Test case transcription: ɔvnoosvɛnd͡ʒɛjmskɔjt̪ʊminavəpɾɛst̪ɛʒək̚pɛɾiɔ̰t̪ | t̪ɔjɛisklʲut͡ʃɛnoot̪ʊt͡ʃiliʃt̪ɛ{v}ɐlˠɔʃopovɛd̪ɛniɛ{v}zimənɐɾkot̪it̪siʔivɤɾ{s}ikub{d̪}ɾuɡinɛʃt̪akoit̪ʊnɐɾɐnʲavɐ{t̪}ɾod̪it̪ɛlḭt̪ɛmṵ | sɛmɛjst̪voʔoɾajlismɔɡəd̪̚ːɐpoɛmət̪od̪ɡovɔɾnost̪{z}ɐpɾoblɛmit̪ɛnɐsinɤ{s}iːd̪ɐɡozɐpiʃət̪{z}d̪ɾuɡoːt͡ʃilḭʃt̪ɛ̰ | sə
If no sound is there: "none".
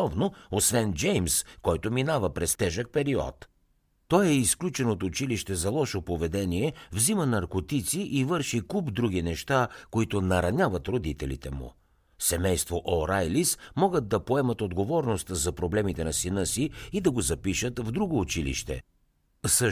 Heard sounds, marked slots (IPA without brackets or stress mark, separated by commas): z, v, ʃ, d̪, t̪, z, s, v